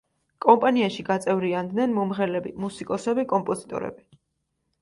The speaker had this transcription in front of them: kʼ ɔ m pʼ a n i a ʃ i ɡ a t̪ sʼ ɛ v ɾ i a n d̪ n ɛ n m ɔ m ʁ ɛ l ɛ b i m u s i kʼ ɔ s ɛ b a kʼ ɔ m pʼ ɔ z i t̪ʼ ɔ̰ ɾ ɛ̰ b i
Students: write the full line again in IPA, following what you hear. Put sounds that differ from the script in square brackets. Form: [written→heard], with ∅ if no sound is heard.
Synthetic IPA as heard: kʼ ɔ m pʼ a n i a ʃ i ɡ a t̪ sʼ ɛ v ɾ i a n d̪ n ɛ n m ɔ m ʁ ɛ l ɛ b i m u s i kʼ ɔ s ɛ b [a→i] kʼ ɔ m pʼ ɔ z i t̪ʼ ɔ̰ ɾ ɛ̰ b i